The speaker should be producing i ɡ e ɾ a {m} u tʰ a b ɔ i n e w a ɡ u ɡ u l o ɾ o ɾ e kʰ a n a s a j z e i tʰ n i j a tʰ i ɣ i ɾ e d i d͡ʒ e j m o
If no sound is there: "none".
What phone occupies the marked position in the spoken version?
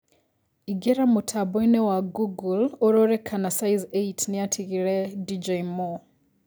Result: m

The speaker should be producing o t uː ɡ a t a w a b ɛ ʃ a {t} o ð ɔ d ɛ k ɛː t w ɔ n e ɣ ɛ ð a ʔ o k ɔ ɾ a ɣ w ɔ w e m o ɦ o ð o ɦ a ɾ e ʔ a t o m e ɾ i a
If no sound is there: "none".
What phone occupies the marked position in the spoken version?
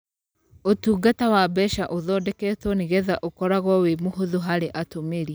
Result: ʔ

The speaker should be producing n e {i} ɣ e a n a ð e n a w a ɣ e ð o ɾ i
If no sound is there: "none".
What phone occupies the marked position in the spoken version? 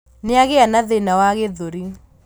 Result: a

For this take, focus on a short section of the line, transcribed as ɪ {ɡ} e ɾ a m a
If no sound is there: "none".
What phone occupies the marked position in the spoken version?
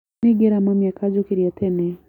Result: ɡ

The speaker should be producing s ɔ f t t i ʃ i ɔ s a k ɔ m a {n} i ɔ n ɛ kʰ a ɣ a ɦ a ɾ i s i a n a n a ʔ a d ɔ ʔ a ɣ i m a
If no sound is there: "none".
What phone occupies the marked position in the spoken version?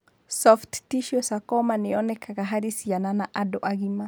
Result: n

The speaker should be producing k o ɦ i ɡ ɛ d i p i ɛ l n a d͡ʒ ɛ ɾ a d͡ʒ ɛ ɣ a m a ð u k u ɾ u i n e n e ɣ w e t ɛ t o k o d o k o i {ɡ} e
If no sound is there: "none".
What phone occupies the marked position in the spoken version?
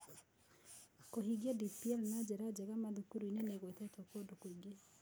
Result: ɡ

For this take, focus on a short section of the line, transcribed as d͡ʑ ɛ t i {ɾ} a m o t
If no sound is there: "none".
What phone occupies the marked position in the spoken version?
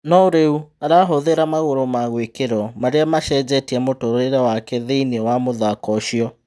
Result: none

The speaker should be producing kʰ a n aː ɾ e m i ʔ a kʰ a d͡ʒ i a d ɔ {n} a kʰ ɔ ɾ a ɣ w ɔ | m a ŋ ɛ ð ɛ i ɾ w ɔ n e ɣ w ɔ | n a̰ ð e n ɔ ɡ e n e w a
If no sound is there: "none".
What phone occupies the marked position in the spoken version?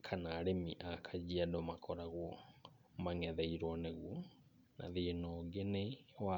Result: m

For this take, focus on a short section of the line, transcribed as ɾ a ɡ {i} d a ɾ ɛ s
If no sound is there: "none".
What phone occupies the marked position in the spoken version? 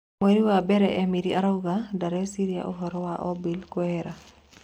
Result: a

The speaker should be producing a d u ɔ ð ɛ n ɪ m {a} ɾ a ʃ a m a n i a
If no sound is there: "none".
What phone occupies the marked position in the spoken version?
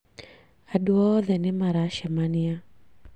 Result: a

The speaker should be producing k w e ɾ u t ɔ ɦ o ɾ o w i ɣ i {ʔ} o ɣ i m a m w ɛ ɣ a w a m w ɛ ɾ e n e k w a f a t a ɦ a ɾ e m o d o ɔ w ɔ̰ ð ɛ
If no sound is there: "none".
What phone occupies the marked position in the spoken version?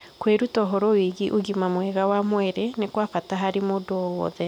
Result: ʔ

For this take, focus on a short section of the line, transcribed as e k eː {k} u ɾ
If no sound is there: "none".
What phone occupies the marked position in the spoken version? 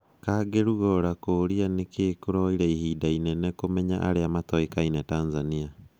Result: k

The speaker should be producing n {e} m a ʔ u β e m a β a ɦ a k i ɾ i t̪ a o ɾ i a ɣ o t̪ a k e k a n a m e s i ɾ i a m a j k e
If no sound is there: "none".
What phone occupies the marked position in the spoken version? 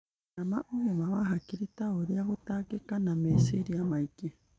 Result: a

